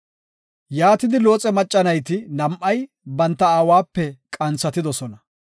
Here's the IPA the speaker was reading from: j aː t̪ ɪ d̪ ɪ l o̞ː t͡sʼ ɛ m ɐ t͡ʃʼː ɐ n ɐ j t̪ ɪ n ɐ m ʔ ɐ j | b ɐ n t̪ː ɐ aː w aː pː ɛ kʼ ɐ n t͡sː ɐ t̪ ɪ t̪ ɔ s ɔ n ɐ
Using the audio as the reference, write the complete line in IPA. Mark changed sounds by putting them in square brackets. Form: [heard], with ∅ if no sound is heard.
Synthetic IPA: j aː t̪ ɪ d̪ ɪ l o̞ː t͡sʼ ɛ m ɐ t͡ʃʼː ɐ n ɐ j t̪ ɪ n ɐ m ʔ ɐ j | b ɐ n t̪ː ɐ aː w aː pː ɛ kʼ ɐ n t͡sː ɐ t̪ ɪ [d̪] ɔ s ɔ n ɐ